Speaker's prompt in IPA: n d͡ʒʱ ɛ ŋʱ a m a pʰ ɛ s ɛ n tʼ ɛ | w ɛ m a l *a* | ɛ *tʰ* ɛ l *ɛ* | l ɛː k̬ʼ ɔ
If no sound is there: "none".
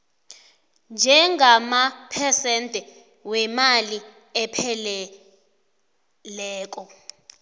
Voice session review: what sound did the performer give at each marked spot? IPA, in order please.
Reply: i, pʰ, ɛ

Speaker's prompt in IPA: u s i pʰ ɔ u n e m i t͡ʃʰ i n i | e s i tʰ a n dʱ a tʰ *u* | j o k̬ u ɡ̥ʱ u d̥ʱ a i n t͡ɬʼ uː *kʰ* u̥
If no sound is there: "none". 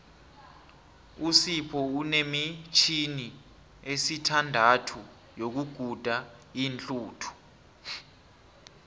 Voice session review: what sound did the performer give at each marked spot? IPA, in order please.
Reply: u, tʰ

